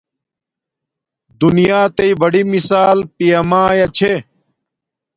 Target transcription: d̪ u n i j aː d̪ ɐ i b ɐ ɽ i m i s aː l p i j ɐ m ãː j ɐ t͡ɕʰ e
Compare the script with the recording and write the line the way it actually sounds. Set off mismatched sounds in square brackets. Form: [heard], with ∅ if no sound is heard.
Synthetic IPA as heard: d̪ u n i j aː [t̪] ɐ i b ɐ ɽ i m i s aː l p i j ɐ m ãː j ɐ t͡ɕʰ e